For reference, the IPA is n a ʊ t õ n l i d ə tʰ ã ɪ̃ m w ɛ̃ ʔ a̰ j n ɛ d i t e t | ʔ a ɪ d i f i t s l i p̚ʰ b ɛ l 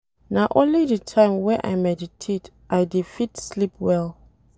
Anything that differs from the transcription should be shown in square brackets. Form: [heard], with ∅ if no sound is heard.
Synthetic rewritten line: n a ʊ [ʔ] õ n l i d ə tʰ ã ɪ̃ m w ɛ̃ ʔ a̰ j [m] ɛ d i [tʰ] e t | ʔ a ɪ d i f i t s l i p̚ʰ [w] ɛ l